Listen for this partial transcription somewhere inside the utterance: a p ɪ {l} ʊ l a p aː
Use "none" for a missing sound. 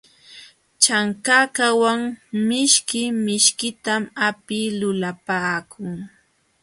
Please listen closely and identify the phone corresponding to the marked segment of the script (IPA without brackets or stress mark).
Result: l